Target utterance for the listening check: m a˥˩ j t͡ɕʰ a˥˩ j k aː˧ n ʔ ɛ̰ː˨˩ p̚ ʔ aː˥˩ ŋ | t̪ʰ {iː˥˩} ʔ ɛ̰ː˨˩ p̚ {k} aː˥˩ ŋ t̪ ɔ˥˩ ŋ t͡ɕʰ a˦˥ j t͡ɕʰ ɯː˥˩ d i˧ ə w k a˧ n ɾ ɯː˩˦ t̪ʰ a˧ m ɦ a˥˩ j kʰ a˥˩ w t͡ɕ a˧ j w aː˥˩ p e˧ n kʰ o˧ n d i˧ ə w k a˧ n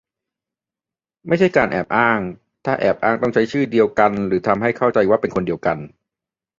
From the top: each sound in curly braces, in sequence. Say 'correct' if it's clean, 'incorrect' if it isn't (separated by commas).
incorrect, incorrect